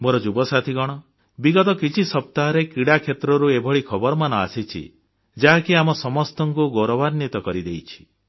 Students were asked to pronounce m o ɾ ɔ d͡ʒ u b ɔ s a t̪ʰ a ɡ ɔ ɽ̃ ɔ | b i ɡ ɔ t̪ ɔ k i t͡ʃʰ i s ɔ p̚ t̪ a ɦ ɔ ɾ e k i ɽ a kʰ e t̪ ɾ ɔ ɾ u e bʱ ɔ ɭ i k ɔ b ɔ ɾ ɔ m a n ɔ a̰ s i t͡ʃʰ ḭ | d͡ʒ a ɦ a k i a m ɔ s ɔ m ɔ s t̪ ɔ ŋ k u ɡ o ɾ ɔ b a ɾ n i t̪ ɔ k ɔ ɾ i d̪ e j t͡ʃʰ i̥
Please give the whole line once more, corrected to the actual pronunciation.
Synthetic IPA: m o ɾ ɔ d͡ʒ u b ɔ s a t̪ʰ i ɡ ɔ ɽ̃ ɔ | b i ɡ ɔ t̪ ɔ k i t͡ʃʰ i s ɔ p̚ t̪ a ɦ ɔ ɾ e k i ɽ a kʰ e t̪ ɾ ɔ ɾ u e bʱ ɔ ɭ i kʰ ɔ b ɔ ɾ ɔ m a n ɔ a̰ s i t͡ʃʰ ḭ | d͡ʒ a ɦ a k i a m ɔ s ɔ m ɔ s t̪ ɔ ŋ k u ɡ o ɾ ɔ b a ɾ n i t̪ ɔ k ɔ ɾ i d̪ e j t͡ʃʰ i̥